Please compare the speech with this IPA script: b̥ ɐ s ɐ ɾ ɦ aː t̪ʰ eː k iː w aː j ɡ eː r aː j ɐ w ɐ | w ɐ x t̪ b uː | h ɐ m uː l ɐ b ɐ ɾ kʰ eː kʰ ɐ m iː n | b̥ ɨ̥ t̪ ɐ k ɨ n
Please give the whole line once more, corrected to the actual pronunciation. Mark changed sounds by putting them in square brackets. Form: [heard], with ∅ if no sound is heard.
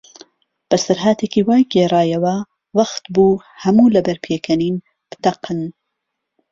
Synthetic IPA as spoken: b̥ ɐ s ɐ ɾ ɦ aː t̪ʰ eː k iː w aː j ɡ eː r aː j ɐ w ɐ | w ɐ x t̪ b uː | h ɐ m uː l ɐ b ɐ ɾ [pʰ] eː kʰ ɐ [n] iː n | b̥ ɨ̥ t̪ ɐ [q] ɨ n